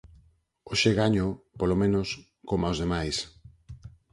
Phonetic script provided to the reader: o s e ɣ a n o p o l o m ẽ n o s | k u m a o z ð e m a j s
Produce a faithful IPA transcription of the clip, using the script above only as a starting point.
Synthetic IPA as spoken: o ʃ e ɣ a ɲ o p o l o m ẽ n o s | k o m a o z ð e m a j s